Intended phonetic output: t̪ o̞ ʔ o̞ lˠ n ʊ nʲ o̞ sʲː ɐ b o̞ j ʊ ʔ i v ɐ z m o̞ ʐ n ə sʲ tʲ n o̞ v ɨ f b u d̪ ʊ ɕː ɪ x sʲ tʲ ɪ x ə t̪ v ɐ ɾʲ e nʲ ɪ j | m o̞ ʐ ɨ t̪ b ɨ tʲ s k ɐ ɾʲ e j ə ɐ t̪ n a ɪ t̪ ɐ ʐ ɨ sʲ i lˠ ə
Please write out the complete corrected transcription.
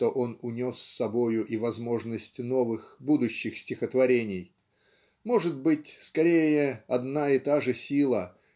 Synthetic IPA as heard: t̪ o̞ ʔ o̞ n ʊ nʲ o̞ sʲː ɐ b o̞ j ʊ ʔ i v ɐ z m o̞ ʐ n ə sʲ tʲ n o̞ v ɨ x b u d̪ ʊ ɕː ɪ x sʲ tʲ ɪ x ə t̪ v ɐ ɾʲ e nʲ ɪ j | m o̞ ʐ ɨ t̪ b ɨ tʲ s k ɐ ɾʲ e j ə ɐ d̪ n a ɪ t̪ a ʐ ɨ sʲ i lˠ ə